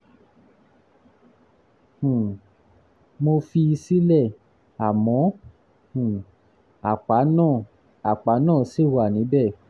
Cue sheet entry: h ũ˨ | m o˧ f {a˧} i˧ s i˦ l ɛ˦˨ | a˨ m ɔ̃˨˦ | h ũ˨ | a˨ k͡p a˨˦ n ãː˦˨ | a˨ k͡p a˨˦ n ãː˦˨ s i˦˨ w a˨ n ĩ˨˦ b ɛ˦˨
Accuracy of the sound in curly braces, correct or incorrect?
incorrect